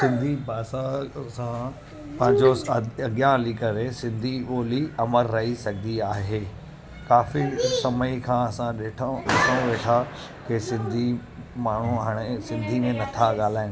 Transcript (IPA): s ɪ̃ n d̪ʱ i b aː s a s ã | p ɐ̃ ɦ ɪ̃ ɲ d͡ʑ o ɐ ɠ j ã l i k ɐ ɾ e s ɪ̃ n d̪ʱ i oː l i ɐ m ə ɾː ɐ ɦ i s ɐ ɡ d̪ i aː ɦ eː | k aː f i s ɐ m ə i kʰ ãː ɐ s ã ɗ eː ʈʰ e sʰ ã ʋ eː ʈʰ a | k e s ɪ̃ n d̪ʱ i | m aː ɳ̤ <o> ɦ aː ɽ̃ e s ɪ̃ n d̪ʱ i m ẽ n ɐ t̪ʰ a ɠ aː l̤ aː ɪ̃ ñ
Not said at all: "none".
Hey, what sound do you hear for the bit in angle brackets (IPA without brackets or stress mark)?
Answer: u